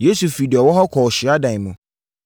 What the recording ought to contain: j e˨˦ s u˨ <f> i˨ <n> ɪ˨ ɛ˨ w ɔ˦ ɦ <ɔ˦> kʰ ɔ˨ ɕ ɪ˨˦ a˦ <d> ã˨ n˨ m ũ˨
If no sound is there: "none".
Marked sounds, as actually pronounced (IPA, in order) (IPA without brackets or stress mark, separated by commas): f, d, ɔ˦, d